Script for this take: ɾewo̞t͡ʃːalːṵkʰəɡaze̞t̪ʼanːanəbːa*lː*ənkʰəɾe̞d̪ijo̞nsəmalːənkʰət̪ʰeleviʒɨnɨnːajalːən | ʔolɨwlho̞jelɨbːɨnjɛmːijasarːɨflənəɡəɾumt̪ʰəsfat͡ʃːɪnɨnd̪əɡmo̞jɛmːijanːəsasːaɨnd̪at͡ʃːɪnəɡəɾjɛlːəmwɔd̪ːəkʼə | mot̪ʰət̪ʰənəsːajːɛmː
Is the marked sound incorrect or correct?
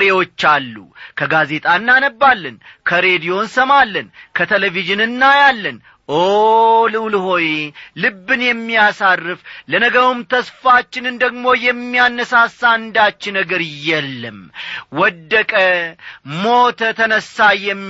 correct